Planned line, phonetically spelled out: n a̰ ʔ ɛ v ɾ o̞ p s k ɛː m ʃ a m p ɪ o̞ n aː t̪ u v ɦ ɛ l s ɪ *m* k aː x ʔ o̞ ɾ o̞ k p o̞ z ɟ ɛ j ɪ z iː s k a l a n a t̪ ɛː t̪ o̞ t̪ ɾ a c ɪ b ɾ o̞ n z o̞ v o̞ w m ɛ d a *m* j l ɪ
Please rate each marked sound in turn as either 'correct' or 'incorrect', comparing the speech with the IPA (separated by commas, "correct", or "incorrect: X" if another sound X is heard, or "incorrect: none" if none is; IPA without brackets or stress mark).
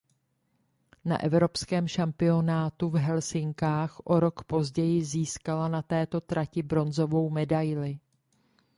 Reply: incorrect: ŋ, incorrect: none